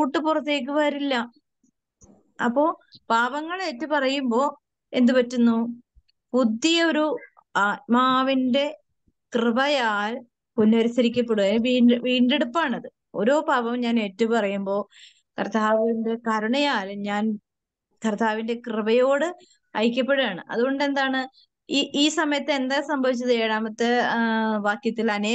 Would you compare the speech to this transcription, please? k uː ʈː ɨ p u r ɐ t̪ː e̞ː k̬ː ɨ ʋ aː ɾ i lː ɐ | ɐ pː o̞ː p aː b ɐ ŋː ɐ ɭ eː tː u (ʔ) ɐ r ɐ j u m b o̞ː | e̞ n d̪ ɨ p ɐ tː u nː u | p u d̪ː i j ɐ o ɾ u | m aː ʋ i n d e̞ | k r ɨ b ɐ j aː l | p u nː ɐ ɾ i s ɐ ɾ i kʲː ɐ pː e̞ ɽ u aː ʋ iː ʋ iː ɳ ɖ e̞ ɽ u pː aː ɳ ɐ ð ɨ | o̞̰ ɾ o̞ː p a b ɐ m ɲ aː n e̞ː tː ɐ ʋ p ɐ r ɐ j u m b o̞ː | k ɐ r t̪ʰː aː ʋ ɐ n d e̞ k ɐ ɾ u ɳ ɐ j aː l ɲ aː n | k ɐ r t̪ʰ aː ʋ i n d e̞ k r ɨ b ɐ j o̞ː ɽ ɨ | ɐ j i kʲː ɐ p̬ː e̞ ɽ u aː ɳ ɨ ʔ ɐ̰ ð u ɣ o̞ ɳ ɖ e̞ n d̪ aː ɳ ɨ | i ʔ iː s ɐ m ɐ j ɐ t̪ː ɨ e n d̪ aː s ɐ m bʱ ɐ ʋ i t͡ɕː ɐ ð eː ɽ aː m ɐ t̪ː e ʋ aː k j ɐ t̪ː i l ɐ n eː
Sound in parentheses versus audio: incorrect: p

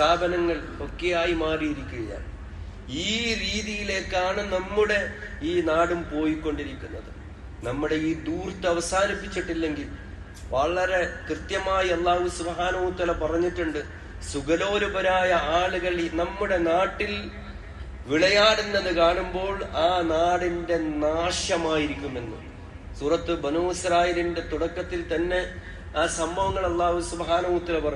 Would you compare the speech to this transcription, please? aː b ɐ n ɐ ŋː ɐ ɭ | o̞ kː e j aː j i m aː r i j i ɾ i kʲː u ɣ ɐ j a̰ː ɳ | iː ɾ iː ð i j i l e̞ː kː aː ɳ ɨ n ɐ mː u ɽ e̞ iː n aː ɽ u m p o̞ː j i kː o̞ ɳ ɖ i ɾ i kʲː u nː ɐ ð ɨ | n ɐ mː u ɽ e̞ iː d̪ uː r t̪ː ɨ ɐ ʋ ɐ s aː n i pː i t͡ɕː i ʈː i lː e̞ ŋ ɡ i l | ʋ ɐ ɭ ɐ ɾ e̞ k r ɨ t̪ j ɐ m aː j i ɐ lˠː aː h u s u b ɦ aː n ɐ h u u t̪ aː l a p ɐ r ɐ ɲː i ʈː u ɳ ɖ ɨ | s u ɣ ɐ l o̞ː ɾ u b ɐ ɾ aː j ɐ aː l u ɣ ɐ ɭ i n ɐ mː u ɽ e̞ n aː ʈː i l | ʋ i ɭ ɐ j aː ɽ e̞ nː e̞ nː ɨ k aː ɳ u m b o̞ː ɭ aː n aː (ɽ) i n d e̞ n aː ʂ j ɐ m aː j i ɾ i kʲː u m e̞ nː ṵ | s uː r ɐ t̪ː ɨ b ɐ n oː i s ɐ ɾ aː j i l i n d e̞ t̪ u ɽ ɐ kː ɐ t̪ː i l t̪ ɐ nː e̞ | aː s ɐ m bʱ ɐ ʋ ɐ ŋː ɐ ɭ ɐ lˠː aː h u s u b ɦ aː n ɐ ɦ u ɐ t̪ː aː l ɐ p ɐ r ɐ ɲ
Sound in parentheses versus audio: correct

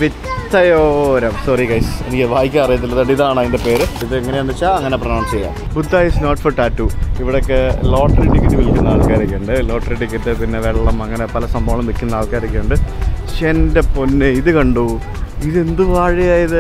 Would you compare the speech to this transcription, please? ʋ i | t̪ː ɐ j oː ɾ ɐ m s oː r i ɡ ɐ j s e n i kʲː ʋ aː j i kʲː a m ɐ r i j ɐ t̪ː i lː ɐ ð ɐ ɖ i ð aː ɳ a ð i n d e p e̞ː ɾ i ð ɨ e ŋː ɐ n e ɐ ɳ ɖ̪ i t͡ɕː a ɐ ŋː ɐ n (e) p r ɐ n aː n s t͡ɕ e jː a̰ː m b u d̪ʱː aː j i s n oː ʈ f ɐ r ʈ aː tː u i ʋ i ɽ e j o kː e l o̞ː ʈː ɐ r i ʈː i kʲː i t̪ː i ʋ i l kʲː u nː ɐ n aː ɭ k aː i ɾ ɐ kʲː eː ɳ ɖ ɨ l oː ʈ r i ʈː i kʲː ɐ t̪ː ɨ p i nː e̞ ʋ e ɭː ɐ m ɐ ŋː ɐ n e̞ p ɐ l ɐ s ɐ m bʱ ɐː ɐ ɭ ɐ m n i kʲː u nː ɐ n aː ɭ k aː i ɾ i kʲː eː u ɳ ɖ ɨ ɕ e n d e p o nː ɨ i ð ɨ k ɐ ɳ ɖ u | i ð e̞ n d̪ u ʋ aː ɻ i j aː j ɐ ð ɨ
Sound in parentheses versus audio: correct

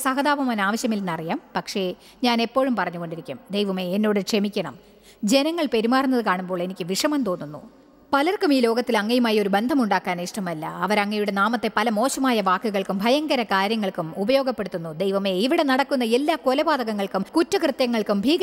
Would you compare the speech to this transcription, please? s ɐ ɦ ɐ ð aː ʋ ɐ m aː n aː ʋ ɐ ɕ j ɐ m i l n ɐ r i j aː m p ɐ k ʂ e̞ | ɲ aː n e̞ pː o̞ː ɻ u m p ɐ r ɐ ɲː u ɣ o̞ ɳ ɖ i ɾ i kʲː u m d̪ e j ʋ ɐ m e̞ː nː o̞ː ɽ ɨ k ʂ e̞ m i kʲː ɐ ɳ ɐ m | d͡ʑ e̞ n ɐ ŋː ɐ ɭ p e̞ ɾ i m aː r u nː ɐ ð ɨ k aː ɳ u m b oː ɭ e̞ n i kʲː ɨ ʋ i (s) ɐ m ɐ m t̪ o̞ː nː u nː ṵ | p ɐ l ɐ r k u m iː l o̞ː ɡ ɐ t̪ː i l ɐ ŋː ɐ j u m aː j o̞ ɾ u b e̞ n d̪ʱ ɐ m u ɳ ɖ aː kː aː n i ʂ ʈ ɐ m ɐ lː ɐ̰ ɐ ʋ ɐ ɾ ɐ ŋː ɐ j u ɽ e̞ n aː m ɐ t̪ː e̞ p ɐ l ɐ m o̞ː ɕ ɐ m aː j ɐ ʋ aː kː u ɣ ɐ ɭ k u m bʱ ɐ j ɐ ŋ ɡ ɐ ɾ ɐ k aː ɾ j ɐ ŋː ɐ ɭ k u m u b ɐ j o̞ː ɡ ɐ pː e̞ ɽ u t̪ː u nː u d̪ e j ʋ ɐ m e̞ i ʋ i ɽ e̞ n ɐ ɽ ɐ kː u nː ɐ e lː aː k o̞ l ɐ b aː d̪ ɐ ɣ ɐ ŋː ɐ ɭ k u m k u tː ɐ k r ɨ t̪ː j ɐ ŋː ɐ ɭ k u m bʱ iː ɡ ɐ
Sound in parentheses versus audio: incorrect: ʂ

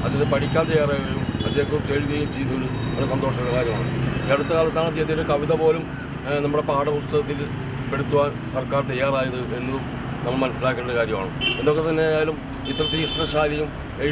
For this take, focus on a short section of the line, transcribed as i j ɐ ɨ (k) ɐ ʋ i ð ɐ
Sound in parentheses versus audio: correct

